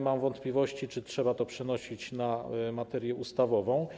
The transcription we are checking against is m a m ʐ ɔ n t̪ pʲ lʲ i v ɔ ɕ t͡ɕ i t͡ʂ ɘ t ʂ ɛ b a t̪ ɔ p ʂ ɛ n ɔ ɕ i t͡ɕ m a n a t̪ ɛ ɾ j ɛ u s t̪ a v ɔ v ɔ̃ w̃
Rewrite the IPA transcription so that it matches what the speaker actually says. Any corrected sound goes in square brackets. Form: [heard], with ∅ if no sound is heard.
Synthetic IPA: m a m [v] ɔ n t̪ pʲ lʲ i v ɔ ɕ t͡ɕ i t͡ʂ ɘ t ʂ ɛ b a t̪ ɔ p ʂ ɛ n ɔ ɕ i t͡ɕ [n] a [m] a t̪ ɛ ɾ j ɛ u s t̪ a v ɔ v ɔ̃ w̃